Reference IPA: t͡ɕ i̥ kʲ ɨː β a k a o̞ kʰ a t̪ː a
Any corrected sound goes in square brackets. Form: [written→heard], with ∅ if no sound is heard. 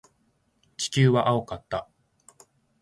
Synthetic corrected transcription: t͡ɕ i̥ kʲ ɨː β a [k→ʔ] a o̞ [kʰ→k] a t̪ː a